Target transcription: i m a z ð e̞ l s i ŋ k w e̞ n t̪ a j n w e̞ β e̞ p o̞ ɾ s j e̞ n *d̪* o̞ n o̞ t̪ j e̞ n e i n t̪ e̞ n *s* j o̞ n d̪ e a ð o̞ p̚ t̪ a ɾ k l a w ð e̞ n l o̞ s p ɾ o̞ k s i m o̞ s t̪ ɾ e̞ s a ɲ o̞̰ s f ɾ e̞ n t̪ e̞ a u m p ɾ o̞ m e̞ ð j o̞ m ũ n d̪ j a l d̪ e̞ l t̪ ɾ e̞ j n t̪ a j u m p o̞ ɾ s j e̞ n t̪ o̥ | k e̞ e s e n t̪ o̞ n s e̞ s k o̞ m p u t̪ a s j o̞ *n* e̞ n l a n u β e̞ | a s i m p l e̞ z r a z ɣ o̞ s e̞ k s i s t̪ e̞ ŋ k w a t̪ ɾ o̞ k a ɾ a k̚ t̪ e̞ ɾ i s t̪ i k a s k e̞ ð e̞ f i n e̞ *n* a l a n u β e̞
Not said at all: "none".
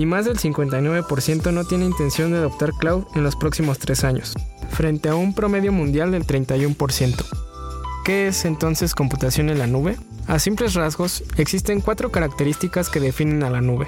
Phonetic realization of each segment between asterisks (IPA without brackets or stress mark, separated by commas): t̪, s, n, n